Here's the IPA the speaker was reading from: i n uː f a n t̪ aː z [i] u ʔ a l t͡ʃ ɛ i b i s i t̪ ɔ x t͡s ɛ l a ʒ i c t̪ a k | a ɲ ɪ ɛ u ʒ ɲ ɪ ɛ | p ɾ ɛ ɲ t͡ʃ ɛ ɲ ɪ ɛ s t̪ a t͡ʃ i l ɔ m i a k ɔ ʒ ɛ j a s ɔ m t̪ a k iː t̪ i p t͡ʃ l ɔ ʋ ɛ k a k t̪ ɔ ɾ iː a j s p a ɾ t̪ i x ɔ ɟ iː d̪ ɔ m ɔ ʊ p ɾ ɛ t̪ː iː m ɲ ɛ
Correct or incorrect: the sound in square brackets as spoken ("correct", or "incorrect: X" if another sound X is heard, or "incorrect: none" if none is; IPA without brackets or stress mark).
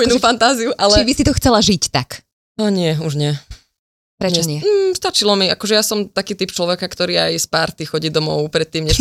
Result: correct